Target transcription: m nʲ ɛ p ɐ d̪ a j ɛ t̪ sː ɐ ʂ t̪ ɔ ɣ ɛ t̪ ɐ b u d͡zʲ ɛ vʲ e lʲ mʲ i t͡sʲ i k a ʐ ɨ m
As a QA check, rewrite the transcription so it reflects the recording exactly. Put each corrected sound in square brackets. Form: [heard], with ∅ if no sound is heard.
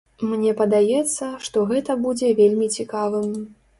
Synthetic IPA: m nʲ ɛ p ɐ d̪ a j ɛ t̪ sː ɐ ʂ t̪ ɔ ɣ ɛ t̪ ɐ b u d͡zʲ ɛ vʲ e lʲ mʲ i t͡sʲ i k a [v] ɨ m